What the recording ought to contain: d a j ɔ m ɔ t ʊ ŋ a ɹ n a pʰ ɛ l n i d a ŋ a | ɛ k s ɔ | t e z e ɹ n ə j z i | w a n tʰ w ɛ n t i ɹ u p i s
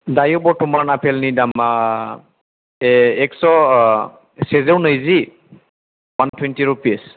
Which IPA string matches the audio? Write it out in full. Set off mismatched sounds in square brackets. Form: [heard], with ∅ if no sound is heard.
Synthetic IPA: d a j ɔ [b] ɔ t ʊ [m] a ɹ n a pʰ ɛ l n i d a [m] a | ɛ k s ɔ | [s] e z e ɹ n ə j z i | w a n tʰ w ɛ n t i ɹ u p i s